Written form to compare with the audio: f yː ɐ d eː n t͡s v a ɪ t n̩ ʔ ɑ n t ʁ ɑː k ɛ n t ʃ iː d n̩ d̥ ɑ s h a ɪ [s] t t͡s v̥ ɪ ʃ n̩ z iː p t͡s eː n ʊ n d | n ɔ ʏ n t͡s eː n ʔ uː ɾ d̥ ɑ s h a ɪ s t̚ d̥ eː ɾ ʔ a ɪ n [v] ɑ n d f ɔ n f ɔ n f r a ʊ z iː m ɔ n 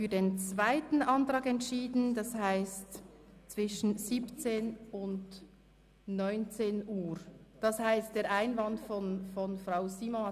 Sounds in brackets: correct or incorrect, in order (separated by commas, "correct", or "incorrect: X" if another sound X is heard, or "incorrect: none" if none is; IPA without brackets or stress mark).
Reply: correct, correct